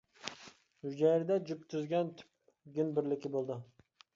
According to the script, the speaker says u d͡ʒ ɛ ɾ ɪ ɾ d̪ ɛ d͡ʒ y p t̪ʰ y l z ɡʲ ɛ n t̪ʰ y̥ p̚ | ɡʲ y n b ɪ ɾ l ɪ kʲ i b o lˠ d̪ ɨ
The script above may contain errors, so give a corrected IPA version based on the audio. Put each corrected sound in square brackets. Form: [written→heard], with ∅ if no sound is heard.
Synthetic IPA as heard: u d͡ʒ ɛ ɾ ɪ [ɾ→∅] d̪ ɛ d͡ʒ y p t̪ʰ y [l→∅] z ɡʲ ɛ n t̪ʰ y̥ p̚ | ɡʲ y n b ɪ ɾ l ɪ kʲ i b o lˠ d̪ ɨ